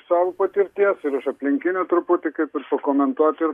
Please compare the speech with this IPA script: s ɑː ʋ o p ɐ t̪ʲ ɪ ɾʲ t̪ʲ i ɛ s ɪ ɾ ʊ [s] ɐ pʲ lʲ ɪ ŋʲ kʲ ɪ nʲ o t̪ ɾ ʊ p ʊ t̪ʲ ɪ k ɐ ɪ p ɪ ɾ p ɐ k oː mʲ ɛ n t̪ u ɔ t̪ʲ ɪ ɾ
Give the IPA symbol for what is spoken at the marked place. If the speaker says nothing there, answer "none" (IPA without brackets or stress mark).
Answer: ʃ